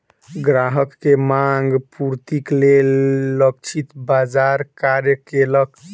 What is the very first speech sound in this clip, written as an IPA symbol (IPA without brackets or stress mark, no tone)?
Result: ɡ